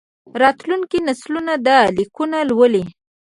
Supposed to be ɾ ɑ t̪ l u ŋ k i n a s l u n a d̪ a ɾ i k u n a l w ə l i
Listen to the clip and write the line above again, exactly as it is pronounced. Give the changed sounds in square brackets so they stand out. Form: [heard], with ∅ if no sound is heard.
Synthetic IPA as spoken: ɾ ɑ t̪ l u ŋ k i n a s l u n a d̪ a [l] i k u n a l w ə l i